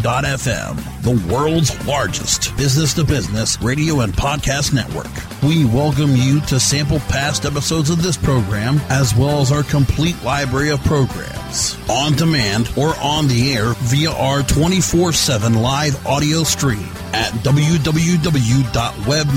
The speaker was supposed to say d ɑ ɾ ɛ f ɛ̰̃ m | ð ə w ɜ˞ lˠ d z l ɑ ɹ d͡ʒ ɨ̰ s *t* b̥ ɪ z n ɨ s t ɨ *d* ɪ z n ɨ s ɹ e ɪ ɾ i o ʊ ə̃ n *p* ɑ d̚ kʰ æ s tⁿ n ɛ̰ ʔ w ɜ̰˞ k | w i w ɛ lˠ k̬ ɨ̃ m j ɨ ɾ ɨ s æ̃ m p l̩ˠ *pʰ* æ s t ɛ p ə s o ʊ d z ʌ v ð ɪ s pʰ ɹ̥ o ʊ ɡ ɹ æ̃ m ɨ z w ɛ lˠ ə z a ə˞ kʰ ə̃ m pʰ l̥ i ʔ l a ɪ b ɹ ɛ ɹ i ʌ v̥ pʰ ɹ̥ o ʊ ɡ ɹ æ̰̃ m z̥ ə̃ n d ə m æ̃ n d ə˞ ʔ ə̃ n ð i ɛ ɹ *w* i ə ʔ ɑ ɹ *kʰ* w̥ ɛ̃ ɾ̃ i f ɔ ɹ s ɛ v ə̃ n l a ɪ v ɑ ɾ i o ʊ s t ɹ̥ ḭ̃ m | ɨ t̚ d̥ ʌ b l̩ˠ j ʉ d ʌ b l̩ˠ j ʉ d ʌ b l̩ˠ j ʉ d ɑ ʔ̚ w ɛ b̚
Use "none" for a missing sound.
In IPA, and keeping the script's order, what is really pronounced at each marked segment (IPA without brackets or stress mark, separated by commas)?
t, b, pʰ, pʰ, v, tʰ